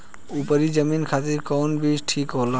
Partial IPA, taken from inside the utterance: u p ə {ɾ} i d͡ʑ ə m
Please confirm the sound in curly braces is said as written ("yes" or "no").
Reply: yes